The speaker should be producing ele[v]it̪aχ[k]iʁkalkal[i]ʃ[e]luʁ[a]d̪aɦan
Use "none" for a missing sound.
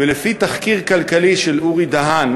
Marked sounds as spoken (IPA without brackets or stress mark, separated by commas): f, k, i, e, i